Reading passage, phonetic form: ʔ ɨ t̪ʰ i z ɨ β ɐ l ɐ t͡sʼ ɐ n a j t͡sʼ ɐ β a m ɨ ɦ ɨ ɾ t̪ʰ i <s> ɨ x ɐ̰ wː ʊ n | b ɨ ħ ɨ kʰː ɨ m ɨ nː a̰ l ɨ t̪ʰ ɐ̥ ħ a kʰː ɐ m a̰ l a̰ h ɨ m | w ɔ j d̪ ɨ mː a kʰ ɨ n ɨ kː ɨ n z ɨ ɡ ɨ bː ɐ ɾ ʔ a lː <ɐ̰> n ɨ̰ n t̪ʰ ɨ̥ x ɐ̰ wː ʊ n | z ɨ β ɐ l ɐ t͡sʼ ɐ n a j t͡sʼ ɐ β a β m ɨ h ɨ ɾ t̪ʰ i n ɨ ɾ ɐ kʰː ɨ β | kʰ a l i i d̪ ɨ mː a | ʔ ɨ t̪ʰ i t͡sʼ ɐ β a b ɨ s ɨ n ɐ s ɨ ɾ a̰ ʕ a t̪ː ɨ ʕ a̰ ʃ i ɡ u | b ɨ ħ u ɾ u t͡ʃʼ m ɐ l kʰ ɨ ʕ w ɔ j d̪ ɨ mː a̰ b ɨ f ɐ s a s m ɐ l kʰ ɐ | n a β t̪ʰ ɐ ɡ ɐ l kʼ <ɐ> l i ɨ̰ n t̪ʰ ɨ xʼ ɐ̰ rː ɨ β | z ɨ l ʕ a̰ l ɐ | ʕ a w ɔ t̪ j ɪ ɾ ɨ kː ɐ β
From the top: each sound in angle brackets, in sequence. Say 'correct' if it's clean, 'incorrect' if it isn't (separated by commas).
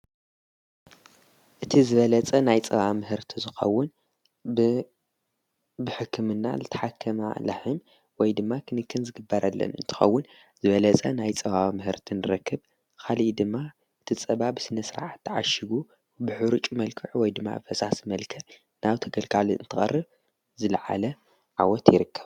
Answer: incorrect, correct, incorrect